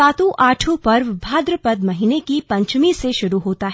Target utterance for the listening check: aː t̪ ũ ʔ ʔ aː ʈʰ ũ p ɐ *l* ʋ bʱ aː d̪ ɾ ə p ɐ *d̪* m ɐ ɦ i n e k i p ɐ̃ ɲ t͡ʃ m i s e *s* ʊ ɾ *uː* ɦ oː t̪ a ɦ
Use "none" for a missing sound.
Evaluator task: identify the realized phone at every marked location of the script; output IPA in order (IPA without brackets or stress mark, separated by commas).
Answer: ɾ, d̪, ʃ, u